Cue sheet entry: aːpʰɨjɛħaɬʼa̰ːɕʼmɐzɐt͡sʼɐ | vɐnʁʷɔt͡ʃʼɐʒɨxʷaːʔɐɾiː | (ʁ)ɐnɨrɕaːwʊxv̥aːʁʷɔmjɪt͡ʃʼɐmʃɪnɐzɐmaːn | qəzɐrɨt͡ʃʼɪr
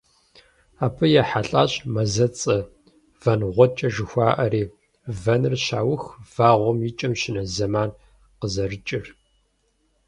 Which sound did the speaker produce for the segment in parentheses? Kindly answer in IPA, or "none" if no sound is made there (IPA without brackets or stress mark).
v